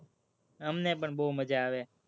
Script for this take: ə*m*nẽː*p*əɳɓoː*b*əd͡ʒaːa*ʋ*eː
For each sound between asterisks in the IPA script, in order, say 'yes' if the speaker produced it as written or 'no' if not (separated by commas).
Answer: yes, yes, no, yes